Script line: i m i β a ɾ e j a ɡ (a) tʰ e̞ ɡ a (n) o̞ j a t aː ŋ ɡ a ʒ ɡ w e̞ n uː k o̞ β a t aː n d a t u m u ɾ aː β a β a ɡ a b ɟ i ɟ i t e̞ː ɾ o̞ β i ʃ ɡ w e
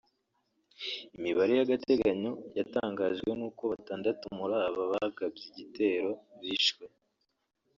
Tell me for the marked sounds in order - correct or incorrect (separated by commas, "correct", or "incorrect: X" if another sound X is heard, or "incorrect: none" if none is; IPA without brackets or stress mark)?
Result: correct, incorrect: ɲ